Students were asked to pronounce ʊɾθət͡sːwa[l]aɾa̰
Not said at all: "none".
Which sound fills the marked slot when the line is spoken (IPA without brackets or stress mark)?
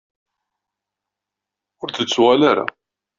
l